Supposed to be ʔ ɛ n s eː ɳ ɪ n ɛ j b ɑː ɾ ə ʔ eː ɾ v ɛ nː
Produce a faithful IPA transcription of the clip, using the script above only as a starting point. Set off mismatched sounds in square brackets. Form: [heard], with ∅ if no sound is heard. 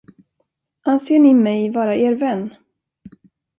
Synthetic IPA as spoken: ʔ [a] n s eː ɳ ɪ [m] ɛ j [v] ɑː ɾ [a] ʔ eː ɾ v ɛ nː